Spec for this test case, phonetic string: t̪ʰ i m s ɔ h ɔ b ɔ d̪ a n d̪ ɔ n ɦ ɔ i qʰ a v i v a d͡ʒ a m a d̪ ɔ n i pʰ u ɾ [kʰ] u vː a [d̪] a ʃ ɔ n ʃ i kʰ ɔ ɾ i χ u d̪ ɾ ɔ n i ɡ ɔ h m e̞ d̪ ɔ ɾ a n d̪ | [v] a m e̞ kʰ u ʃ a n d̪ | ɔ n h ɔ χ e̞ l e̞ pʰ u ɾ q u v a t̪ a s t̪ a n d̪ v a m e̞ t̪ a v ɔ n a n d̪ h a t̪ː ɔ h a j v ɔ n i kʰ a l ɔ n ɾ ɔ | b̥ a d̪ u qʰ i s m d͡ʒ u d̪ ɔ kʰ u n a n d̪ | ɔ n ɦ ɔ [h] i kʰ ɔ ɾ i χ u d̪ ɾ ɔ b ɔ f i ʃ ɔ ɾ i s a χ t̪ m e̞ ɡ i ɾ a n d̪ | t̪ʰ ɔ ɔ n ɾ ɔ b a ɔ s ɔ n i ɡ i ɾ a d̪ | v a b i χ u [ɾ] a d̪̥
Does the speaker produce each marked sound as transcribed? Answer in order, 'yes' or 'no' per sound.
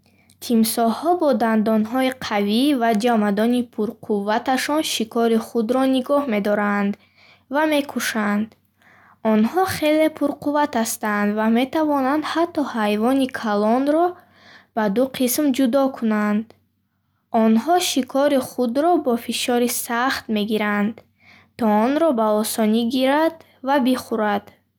no, no, yes, no, yes

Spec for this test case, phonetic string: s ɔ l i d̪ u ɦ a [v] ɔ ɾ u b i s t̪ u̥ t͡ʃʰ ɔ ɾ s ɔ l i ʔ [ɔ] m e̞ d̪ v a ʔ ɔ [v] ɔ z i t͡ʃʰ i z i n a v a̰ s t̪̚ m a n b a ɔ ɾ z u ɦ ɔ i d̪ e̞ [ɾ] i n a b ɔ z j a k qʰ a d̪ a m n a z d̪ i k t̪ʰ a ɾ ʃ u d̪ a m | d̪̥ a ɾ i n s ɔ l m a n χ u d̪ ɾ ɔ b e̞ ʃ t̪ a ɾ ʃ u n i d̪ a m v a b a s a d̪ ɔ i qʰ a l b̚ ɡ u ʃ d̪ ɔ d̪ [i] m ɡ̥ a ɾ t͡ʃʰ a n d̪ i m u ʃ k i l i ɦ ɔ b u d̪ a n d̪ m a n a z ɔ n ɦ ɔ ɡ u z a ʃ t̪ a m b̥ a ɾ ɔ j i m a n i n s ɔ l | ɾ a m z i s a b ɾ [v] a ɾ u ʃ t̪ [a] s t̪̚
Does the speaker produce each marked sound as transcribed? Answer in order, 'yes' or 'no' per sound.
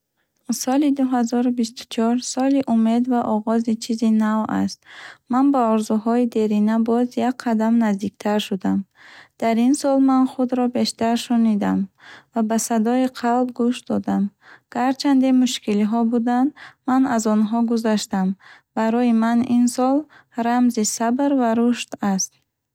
no, no, no, yes, no, yes, yes

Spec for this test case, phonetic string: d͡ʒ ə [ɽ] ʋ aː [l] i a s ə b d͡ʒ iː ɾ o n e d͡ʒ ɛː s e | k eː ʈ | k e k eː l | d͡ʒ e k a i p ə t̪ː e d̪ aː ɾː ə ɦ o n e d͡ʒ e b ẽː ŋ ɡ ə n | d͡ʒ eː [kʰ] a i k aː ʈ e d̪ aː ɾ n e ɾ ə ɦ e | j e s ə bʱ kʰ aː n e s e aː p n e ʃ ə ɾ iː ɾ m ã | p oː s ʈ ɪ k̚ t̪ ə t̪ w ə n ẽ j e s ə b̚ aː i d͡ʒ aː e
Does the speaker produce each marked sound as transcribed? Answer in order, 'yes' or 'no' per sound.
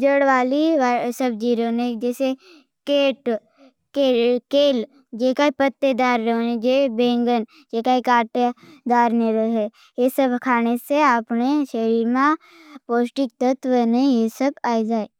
yes, yes, no

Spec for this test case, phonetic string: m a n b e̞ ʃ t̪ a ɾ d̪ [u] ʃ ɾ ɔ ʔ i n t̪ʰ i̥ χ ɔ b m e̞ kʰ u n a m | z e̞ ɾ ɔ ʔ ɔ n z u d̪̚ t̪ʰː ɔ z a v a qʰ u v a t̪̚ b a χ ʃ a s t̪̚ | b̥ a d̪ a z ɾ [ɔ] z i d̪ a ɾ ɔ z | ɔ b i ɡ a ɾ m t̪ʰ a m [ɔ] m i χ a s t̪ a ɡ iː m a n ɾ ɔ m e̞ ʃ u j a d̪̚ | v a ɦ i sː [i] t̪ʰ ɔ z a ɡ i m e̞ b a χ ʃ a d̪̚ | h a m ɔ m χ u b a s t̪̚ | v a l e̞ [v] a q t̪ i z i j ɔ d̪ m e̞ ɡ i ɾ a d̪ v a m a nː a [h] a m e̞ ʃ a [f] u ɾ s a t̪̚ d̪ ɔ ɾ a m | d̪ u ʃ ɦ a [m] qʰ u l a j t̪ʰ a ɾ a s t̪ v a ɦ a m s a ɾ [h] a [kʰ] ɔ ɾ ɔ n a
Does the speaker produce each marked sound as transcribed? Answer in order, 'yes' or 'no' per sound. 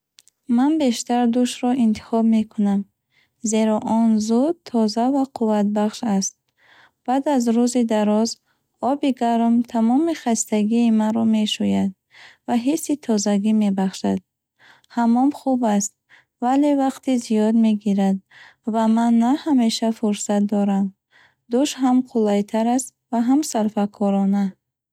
yes, no, yes, yes, yes, yes, yes, yes, no, yes

